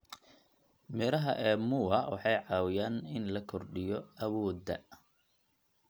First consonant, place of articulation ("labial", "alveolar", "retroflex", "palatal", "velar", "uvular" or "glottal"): labial